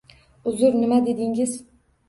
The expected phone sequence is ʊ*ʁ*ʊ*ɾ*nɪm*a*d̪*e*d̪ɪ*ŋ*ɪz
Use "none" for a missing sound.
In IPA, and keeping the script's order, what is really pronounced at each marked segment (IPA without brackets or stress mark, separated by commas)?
z, ɾ, a, e, ŋ